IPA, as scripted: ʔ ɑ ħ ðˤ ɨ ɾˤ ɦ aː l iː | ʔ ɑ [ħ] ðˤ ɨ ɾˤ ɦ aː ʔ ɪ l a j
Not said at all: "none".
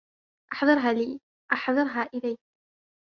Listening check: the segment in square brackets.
ħ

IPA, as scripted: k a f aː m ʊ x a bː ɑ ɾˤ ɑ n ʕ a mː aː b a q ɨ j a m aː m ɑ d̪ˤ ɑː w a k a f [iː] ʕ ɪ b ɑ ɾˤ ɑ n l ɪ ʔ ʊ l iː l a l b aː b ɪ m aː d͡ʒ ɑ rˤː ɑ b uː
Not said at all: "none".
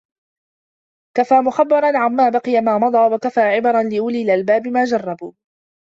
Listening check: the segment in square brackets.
aː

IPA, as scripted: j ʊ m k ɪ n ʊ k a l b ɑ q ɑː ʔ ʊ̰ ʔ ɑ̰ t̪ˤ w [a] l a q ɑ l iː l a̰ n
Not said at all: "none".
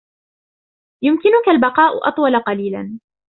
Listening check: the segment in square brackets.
ɑ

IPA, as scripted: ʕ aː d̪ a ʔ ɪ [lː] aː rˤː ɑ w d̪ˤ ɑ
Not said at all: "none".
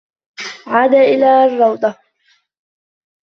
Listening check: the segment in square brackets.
l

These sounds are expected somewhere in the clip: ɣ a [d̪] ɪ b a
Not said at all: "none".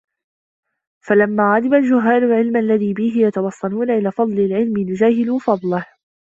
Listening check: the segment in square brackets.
d̪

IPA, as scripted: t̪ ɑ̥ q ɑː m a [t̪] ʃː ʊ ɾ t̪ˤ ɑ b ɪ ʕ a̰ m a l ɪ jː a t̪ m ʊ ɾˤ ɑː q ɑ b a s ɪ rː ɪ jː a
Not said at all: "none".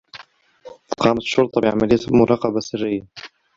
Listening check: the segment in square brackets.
t̪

